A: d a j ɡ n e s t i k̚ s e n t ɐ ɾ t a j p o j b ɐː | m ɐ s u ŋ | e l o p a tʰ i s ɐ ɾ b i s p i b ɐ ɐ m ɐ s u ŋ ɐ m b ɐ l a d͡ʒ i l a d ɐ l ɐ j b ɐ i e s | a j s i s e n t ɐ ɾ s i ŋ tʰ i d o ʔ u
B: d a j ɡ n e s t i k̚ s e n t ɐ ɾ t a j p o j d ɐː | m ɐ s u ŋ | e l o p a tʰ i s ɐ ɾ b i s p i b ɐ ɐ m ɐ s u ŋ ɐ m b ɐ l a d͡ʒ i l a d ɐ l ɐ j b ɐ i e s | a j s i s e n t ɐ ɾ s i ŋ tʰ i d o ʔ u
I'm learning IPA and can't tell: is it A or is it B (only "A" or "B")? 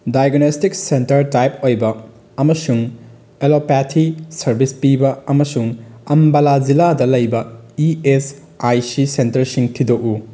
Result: A